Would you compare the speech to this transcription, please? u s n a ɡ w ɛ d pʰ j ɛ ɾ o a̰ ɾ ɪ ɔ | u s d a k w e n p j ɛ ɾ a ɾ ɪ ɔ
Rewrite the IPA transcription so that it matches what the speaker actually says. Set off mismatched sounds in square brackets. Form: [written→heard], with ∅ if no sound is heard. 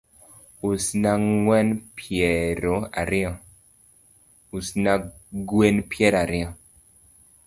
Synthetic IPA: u s n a [ɡ→ŋ] w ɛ [d→n] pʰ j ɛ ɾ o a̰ ɾ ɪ ɔ | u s [d→n] a [k→ɡ] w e n p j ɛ ɾ a ɾ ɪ ɔ